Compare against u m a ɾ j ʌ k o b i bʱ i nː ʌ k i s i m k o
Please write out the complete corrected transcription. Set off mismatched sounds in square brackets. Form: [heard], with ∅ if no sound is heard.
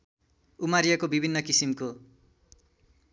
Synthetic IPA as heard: u m a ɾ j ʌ k o b i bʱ i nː ʌ k i s i m k o